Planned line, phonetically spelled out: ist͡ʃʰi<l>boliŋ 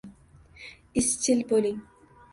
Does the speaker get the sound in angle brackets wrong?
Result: no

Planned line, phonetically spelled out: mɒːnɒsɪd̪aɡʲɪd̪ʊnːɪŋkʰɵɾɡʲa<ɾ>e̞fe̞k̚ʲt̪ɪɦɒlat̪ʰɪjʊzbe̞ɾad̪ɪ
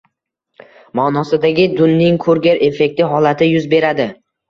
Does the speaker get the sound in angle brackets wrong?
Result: no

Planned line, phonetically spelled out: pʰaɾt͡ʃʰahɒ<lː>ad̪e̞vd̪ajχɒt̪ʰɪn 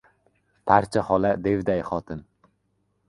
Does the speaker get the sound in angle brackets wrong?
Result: yes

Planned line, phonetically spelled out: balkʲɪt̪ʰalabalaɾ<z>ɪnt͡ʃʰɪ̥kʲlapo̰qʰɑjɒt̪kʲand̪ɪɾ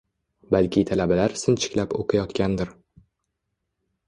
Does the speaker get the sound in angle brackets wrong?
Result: yes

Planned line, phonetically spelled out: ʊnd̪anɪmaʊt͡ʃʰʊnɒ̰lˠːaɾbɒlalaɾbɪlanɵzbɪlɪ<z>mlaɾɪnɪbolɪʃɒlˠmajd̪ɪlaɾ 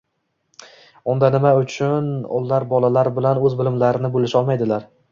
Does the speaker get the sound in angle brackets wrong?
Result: yes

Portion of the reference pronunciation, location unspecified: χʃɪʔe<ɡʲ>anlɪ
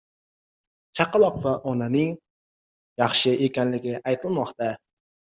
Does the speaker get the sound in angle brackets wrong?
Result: yes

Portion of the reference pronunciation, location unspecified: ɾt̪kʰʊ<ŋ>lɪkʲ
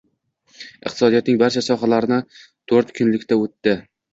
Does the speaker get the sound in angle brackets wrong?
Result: yes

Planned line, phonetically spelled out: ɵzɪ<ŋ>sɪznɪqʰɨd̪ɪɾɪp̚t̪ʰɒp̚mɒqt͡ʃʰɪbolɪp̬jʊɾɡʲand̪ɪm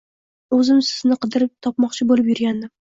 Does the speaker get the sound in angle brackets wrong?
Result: yes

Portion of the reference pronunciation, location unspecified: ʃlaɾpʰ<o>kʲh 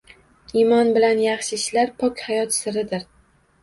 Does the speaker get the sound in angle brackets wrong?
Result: yes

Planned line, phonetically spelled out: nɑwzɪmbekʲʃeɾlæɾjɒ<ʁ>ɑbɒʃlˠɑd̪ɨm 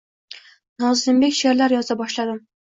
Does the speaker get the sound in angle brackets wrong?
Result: yes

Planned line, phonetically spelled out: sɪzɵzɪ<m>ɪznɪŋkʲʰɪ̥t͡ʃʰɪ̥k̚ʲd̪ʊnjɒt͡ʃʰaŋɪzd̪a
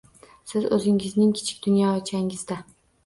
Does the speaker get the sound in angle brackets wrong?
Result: yes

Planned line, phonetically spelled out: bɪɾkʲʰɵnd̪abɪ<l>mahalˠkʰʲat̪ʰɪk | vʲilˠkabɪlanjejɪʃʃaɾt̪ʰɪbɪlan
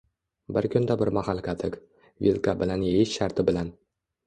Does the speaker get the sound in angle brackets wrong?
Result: yes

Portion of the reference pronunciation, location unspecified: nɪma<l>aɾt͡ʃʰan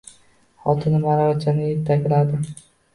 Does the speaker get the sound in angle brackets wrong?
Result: yes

